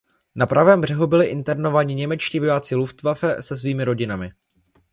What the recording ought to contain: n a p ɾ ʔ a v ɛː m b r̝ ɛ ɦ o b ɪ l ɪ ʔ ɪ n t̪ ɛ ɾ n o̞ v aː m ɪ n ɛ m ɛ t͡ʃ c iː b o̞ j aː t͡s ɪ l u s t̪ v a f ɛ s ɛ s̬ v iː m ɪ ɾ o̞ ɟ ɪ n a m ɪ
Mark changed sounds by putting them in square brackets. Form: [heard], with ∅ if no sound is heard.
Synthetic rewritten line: n a p ɾ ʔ a v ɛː m b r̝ ɛ ɦ [u] b ɪ l ɪ ʔ ɪ n t̪ ɛ ɾ n o̞ v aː [ɲ] ɪ [ɲ] ɛ m ɛ t͡ʃ c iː [v] o̞ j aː t͡s ɪ l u [f] t̪ v a f ɛ s ɛ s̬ v iː m ɪ ɾ o̞ ɟ ɪ n a m ɪ